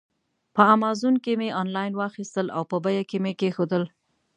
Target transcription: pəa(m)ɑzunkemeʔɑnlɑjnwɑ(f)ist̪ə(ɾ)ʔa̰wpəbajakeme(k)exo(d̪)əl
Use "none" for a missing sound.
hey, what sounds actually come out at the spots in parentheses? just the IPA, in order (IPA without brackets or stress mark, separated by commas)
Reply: m, x, l, k, d̪